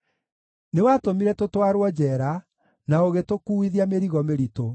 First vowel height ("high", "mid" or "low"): mid